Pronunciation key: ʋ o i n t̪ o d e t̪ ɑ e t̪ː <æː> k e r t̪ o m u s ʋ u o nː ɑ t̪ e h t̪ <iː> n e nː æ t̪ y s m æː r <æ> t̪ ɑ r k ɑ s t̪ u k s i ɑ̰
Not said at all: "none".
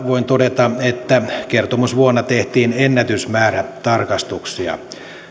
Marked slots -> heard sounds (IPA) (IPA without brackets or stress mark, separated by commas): æ, iː, æ